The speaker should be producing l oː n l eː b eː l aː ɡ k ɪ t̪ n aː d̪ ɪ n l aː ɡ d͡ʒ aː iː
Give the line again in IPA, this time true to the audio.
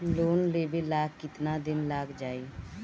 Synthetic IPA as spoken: l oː n l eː b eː l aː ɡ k ɪ t̪ n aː d̪ ɪ n l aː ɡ d͡ʒ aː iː